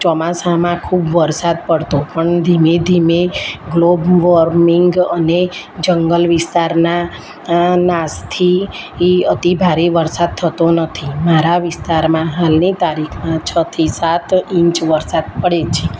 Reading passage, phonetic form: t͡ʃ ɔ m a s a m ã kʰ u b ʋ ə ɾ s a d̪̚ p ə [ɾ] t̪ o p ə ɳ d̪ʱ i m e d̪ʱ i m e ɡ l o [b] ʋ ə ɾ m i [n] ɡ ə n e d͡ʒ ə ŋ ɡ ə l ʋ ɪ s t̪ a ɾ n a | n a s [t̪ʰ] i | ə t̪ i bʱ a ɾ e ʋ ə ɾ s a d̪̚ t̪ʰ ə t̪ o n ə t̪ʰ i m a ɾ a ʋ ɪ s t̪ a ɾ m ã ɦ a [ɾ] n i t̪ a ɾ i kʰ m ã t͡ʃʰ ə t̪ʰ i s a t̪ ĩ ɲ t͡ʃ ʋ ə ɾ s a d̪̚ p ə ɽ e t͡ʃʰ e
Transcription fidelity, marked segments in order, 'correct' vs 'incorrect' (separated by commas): incorrect, correct, incorrect, correct, incorrect